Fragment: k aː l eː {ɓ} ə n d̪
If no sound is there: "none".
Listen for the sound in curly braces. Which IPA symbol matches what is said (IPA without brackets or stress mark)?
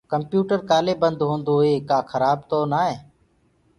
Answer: b